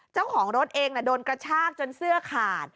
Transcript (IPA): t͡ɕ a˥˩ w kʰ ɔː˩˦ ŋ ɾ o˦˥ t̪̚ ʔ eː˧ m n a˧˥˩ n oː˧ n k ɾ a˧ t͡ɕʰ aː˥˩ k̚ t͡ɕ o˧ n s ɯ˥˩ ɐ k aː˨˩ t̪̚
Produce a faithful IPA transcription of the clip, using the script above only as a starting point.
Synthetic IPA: t͡ɕ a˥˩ w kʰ ɔː˩˦ ŋ ɾ o˦˥ t̪̚ ʔ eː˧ ŋ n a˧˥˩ d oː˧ n k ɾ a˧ t͡ɕʰ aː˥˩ k̚ t͡ɕ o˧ n s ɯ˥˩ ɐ kʰ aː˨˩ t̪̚